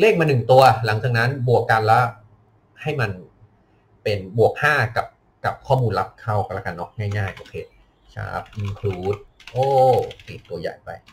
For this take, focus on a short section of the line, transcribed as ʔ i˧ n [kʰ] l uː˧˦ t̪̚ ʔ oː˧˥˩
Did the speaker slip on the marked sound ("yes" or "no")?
no